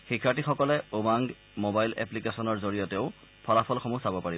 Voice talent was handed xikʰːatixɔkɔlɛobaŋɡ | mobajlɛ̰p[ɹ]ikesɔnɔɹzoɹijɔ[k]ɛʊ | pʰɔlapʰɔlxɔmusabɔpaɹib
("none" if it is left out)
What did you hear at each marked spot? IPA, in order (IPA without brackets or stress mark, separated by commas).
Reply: l, t